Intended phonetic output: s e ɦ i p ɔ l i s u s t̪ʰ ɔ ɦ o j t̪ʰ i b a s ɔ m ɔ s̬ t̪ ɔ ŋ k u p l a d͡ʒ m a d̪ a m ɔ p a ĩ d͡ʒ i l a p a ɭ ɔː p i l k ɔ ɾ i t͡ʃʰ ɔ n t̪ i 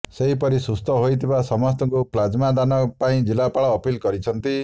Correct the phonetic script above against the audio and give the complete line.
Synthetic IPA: s e ɦ i p ɔ ɾ i s u s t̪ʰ ɔ ɦ o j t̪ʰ i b a s ɔ m ɔ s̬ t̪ ɔ ŋ k u p l a d͡ʒ m a d̪ a n ɔ p a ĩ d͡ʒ i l a p a ɭ ɔː p i l k ɔ ɾ i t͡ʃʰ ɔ n t̪ i

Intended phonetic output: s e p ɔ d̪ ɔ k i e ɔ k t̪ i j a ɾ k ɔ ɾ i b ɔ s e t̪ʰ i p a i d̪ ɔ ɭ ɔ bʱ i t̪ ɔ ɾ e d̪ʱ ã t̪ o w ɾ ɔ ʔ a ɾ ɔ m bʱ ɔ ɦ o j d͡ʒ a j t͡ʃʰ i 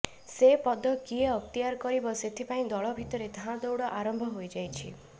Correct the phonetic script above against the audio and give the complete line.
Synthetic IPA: s e p ɔ d̪ ɔ k i e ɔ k t̪ i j a ɾ k ɔ ɾ i b ɔ s e t̪ʰ i p a ĩ d̪ ɔ ɭ ɔ bʱ i t̪ ɔ ɾ e d̪ʱ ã d̪ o w ɽ ɔ ʔ a ɾ ɔ m bʱ ɔ ɦ o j d͡ʒ a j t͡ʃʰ i

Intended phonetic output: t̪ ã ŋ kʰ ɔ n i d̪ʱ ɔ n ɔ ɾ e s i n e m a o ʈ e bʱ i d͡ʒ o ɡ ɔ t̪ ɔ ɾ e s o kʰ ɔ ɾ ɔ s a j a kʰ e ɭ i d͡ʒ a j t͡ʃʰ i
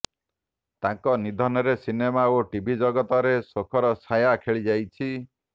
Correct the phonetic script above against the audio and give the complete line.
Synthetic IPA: t̪ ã ŋ k ɔ n i d̪ʱ ɔ n ɔ ɾ e s i n e m a o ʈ i bʱ i d͡ʒ ɔ ɡ ɔ t̪ ɔ ɾ e s o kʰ ɔ ɾ ɔ s a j a kʰ e ɭ i d͡ʒ a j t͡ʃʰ i

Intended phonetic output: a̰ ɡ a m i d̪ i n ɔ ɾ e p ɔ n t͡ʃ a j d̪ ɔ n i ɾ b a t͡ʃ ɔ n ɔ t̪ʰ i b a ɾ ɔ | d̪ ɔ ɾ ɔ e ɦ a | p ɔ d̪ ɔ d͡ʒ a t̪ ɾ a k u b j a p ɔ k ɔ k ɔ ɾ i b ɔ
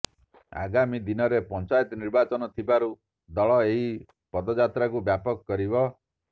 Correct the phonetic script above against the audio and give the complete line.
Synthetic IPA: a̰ ɡ a m i d̪ i n ɔ ɾ e p ɔ n t͡ʃ a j t̪ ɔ n i ɾ b a t͡ʃ ɔ n ɔ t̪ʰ i b a ɾ u | d̪ ɔ ɭ ɔ e ɦ i | p ɔ d̪ ɔ d͡ʒ a t̪ ɾ a k u b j a p ɔ k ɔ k ɔ ɾ i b ɔ

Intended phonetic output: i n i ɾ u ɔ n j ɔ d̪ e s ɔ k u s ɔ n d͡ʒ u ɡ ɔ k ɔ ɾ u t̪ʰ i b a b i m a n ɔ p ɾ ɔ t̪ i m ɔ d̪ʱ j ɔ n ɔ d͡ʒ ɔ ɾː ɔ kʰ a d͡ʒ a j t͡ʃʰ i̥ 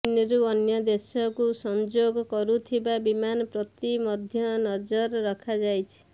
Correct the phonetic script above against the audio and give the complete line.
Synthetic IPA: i n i ɾ u ɔ n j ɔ d̪ e s ɔ k u s ɔ n d͡ʒ o ɡ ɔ k ɔ ɾ u t̪ʰ i b a b i m a n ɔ p ɾ ɔ t̪ i m ɔ d̪ʱ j ɔ n ɔ d͡ʒ ɔ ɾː ɔ kʰ a d͡ʒ a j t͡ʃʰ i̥

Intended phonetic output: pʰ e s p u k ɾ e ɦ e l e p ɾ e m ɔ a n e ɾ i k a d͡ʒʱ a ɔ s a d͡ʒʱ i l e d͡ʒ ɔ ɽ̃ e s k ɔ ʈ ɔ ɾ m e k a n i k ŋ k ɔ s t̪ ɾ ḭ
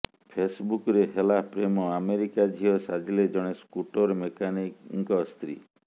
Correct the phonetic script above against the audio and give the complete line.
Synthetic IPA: pʰ e s b u k ɾ e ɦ e l a p ɾ e m ɔ a m e ɾ i k a d͡ʒʱ i ɔ s a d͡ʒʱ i l e d͡ʒ ɔ ɽ̃ e s k u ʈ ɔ ɾ m e k a n i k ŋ k ɔ s t̪ ɾ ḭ

